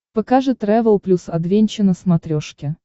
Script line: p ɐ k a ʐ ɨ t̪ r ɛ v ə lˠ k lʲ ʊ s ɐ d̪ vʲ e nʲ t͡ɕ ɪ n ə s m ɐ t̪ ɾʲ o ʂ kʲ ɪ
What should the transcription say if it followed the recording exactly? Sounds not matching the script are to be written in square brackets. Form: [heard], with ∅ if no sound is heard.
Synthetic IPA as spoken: p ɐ k a ʐ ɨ t̪ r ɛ v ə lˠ [p] lʲ [u] s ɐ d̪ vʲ e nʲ t͡ɕ ɪ n ə s m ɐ t̪ ɾʲ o ʂ kʲ ɪ

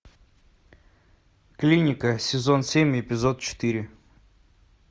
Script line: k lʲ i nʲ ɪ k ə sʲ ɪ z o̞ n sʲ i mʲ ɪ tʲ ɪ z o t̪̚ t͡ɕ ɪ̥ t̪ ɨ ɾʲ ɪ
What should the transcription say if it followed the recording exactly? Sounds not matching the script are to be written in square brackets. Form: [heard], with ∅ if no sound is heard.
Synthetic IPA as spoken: k lʲ i nʲ ɪ k ə sʲ ɪ z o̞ n sʲ [e] mʲ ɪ [pʲ] ɪ z o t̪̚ t͡ɕ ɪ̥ t̪ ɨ ɾʲ ɪ

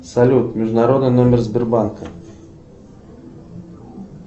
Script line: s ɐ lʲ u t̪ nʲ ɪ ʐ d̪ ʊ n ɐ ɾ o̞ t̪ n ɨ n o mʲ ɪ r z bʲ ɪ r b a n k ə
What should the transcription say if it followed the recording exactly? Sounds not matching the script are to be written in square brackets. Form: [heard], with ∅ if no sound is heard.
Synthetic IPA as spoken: s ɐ lʲ u t̪ [mʲ] ɪ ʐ d̪ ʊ n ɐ ɾ o̞ [d̪] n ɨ n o mʲ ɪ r z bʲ ɪ r b a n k ə

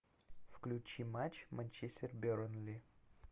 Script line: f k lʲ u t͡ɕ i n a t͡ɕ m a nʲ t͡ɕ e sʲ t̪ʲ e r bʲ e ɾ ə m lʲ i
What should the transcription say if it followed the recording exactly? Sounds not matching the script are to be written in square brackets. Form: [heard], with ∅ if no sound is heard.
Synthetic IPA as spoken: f k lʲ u t͡ɕ i [m] a t͡ɕ m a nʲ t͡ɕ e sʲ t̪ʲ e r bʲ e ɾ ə [n] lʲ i

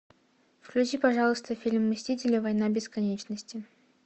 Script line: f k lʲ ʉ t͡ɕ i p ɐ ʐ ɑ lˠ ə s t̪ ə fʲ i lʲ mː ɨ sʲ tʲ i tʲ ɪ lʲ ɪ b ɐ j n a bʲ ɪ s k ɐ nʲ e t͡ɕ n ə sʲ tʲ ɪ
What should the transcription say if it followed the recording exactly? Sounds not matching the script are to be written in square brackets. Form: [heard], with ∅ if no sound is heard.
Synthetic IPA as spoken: f k lʲ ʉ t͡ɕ i p ɐ ʐ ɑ lˠ ə s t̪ ə fʲ i lʲ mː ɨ sʲ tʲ i tʲ ɪ lʲ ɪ [v] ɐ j n a bʲ ɪ s k ɐ nʲ e t͡ɕ n ə sʲ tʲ ɪ

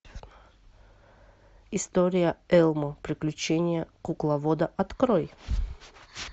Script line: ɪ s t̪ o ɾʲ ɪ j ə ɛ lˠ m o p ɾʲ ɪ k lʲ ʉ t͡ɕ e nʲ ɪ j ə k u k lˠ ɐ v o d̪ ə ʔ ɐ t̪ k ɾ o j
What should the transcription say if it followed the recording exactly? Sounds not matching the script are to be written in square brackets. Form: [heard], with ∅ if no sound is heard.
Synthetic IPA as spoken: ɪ s t̪ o ɾʲ ɪ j ə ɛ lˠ m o p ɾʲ ɪ k lʲ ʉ t͡ɕ e nʲ ɪ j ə k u k lˠ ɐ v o d̪ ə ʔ ɐ t̪ k ɾ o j

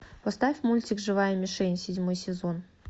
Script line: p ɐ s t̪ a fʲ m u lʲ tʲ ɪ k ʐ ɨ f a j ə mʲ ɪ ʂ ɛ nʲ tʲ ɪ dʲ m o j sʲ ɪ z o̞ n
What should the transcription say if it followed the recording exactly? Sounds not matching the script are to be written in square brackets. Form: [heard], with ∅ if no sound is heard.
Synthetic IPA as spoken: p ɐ s t̪ a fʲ m u lʲ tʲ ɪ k ʐ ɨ [v] a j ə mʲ ɪ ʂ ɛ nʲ [sʲ] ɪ dʲ m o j sʲ ɪ z o̞ n

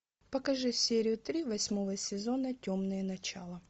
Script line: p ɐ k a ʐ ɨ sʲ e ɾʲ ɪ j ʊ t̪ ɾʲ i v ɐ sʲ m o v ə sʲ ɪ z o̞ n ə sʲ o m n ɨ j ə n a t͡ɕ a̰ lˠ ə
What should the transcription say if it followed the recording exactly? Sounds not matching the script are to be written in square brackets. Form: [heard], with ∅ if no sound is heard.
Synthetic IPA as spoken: p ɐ k [ɐ] ʐ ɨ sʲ e ɾʲ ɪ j ʊ t̪ ɾʲ i v ɐ sʲ m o v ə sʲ ɪ z o̞ n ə [tʲ] o m n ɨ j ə n [ɐ] t͡ɕ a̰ lˠ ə

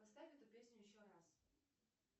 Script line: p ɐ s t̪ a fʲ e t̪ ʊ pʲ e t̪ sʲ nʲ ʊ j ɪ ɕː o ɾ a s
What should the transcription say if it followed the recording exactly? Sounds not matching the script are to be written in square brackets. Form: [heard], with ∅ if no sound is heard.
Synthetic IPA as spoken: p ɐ s t̪ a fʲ [ɛ] t̪ ʊ pʲ e [∅] sʲ nʲ ʊ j ɪ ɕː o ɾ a s

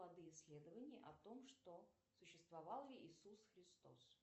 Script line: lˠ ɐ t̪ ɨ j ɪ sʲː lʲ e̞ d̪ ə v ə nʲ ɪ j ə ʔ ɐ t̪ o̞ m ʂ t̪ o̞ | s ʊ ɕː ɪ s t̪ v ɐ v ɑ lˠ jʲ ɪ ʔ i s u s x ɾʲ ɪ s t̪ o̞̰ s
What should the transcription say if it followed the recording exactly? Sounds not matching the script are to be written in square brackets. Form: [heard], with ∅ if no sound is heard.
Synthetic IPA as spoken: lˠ ɐ [d̪] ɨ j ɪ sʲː lʲ e̞ d̪ ə v ə nʲ ɪ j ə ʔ ɐ t̪ o̞ m ʂ t̪ o̞ | s ʊ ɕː ɪ s t̪ v ɐ v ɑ lˠ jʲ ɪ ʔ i s u s x ɾʲ ɪ s t̪ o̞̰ s

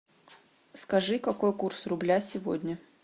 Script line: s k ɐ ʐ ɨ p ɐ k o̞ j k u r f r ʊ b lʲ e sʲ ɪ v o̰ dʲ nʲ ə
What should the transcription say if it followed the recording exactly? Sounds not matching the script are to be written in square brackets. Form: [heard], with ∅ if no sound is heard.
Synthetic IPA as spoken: s k ɐ ʐ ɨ [k] ɐ k o̞ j k u r [s] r ʊ b lʲ [a] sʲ ɪ v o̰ dʲ nʲ ə

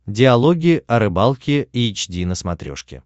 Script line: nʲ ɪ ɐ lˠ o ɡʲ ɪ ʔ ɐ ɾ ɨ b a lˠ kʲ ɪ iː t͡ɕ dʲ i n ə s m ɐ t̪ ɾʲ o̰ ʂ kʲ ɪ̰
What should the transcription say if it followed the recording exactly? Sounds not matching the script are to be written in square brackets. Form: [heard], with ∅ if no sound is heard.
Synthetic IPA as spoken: [dʲ] ɪ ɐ lˠ o ɡʲ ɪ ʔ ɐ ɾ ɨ b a lˠ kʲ ɪ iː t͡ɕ dʲ i n ə s m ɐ t̪ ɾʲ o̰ ʂ kʲ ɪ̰

